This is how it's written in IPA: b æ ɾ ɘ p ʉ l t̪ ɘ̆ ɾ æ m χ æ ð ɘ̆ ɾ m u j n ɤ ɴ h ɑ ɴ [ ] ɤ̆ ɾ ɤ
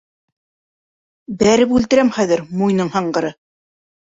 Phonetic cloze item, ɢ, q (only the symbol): ɢ